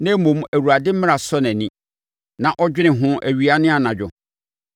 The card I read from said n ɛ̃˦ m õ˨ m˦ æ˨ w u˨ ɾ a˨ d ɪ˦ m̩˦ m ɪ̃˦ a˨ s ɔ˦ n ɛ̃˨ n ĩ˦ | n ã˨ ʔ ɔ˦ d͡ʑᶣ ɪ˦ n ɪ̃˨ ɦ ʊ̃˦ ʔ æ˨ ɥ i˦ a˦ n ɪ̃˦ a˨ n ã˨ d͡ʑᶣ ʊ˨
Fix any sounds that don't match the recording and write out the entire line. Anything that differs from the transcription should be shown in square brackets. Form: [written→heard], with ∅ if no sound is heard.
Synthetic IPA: n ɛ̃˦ m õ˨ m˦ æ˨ w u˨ ɾ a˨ d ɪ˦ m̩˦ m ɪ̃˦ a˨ s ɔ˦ n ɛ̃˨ n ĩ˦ | n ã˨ ʔ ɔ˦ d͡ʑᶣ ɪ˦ n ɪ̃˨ ɦ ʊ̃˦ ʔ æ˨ ɥ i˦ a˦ n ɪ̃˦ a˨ n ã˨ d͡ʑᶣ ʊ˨